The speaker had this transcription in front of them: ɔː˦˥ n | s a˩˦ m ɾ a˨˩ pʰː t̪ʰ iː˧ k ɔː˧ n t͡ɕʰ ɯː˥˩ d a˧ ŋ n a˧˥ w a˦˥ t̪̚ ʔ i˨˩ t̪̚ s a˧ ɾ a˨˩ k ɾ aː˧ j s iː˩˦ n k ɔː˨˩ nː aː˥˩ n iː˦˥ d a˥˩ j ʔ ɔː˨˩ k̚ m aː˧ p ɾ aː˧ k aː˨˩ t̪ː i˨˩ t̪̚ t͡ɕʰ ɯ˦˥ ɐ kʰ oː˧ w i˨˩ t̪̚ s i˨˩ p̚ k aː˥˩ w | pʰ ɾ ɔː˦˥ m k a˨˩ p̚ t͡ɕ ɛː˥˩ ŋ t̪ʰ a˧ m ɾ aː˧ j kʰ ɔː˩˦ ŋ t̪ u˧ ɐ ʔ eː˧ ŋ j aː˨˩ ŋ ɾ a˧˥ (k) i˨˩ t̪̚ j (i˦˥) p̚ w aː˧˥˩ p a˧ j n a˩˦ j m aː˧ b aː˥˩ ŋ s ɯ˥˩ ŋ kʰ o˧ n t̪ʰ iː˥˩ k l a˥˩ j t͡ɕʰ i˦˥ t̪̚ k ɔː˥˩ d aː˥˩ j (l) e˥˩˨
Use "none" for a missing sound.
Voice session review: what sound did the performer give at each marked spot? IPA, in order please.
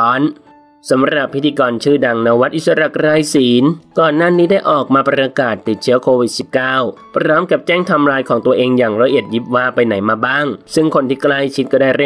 ʔ, i˦˥, ɾ

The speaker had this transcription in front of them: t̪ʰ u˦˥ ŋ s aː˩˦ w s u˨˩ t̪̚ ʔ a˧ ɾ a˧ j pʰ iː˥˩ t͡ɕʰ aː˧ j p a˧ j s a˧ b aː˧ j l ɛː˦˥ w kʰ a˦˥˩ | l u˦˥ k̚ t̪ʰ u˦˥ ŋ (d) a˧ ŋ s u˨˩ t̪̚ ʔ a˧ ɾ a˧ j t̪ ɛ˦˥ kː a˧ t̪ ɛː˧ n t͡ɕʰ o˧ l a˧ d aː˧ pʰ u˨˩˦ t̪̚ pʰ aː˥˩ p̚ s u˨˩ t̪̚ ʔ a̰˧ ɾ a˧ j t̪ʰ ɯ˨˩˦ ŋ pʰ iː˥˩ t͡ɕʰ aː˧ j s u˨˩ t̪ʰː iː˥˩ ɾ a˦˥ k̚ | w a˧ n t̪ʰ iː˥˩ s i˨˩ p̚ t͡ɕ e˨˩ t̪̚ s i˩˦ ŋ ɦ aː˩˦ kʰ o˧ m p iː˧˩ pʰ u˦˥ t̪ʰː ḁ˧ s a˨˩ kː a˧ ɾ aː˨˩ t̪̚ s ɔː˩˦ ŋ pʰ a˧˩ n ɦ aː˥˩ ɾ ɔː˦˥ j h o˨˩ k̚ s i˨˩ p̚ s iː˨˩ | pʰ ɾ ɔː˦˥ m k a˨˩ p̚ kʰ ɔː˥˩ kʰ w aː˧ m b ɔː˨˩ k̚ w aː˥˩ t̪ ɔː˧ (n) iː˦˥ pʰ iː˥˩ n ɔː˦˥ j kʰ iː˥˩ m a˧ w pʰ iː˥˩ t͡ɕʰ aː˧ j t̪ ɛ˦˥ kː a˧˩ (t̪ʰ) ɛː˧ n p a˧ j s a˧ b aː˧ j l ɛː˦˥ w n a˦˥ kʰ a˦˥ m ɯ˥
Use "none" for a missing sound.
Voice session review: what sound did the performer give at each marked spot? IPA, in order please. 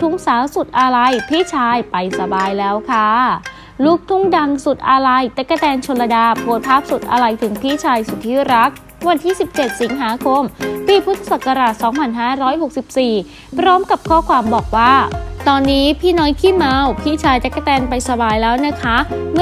d, nː, t̪

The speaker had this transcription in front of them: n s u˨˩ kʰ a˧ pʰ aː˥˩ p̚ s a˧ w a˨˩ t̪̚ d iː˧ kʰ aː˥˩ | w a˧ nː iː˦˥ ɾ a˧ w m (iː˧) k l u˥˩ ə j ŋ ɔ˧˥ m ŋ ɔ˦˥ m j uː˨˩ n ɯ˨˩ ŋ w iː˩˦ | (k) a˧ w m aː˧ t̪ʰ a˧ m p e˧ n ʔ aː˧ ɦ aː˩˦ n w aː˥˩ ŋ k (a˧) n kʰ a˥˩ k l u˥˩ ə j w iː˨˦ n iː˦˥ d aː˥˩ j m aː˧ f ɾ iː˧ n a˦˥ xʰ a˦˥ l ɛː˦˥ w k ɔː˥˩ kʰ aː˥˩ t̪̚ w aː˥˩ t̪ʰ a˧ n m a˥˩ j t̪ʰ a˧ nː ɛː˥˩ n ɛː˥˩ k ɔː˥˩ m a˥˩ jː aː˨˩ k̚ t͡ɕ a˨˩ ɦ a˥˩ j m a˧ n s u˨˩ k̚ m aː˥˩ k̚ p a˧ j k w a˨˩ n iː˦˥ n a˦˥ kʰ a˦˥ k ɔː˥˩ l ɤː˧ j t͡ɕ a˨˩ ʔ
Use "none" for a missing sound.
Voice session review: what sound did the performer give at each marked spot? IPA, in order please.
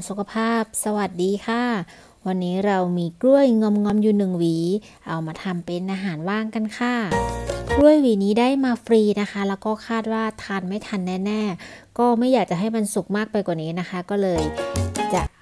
iː˧, ʔ, a˧

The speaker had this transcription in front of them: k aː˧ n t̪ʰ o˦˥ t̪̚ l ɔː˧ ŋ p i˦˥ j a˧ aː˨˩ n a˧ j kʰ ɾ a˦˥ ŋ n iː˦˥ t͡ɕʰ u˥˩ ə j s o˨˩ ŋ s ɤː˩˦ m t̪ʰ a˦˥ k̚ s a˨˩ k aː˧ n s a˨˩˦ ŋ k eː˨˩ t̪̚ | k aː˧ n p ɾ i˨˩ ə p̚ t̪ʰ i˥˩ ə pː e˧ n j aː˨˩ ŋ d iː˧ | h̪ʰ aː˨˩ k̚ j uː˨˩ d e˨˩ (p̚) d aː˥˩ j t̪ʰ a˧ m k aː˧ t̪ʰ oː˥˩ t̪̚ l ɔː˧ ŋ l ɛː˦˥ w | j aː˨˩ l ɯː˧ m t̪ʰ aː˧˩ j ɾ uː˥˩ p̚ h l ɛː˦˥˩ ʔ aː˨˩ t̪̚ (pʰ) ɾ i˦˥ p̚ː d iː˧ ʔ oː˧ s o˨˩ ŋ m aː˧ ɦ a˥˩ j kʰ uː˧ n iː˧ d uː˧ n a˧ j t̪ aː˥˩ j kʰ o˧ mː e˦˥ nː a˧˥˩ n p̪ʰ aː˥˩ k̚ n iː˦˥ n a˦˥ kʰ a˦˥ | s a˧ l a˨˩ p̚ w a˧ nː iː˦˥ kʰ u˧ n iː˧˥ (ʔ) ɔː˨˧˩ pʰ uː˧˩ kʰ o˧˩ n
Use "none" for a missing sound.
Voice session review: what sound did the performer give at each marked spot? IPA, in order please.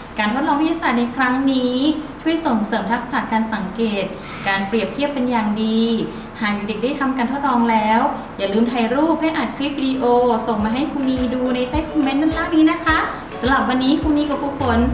k̚, kʰ, k

